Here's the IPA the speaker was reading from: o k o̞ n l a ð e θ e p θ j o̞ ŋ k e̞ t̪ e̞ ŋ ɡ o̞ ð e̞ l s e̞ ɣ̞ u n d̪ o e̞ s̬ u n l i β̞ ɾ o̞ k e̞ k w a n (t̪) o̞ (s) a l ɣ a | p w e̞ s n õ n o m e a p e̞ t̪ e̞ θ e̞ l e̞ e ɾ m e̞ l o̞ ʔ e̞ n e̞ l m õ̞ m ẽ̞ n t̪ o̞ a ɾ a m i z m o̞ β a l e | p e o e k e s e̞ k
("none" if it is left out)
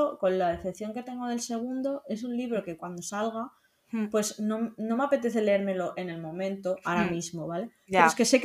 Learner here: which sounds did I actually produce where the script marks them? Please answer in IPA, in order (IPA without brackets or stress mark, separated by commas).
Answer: d̪, s